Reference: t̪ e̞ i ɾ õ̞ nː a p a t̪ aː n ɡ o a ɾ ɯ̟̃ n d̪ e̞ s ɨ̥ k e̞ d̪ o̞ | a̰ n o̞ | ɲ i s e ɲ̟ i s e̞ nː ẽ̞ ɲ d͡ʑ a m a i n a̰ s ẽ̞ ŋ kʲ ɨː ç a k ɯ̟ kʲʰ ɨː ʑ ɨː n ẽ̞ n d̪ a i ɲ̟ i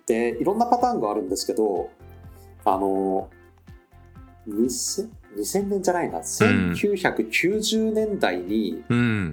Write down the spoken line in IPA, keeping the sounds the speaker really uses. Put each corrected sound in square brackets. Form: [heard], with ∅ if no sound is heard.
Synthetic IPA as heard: t̪ e̞ i ɾ õ̞ nː a p a t̪ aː [ŋ] ɡ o a ɾ ɯ̟̃ n d̪ e̞ s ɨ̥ k e̞ d̪ o̞ | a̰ n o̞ | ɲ i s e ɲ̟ i s [ẽ̞] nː ẽ̞ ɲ d͡ʑ a [n] a i n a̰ s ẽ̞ ŋ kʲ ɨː ç a k ɯ̟ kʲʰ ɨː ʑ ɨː n ẽ̞ n d̪ a i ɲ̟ i